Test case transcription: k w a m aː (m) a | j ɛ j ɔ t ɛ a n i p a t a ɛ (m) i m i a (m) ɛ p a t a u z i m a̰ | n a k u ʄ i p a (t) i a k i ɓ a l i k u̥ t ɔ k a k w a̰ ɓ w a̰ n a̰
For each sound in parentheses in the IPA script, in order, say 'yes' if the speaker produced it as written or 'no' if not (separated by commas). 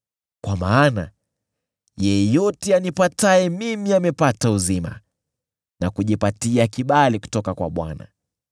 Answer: no, yes, yes, yes